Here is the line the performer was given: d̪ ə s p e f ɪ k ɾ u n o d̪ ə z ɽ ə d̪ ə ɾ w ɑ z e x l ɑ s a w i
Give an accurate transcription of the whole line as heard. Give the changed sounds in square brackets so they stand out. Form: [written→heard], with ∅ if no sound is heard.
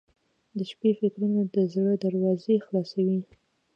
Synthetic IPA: d̪ ə [s→ʃ] p e f ɪ k ɾ u n o d̪ ə z ɽ ə d̪ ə ɾ w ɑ z e x l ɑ s a w i